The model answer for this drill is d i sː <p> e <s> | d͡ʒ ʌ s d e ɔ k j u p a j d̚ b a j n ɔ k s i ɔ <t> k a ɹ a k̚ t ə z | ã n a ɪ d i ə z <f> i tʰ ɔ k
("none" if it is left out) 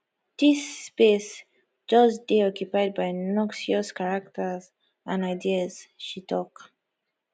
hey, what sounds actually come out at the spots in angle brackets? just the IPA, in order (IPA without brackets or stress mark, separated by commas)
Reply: p, s, s, ʃ